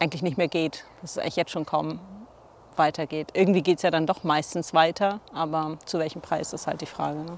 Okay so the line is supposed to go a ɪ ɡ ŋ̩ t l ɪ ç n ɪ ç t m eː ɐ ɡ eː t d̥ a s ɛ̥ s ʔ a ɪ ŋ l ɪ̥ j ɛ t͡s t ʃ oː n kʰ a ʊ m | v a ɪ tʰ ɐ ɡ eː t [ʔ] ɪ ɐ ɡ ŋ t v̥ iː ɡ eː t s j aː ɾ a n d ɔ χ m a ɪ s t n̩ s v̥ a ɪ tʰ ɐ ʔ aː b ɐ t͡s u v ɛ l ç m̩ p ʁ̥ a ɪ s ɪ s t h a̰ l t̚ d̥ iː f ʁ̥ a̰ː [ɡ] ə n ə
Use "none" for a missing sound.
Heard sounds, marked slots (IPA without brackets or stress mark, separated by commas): ʔ, ɡ